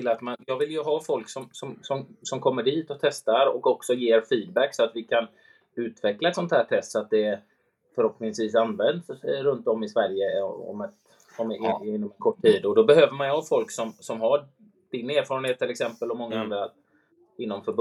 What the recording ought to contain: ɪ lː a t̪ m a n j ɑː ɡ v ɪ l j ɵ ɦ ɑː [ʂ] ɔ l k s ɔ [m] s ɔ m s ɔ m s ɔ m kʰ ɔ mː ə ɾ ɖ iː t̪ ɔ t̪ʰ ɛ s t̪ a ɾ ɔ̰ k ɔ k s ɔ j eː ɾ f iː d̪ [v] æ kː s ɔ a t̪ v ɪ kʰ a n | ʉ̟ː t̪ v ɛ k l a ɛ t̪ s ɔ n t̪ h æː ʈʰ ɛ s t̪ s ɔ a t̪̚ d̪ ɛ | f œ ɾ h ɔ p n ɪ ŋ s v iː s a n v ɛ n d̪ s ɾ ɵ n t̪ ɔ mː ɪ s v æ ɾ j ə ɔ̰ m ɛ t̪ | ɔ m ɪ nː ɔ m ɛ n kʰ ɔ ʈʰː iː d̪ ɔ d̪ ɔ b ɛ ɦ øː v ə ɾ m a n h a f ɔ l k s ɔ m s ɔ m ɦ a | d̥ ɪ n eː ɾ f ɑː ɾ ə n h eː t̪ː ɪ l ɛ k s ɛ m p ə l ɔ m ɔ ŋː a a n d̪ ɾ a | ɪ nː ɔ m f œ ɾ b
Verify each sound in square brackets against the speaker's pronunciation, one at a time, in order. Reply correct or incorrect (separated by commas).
incorrect, correct, incorrect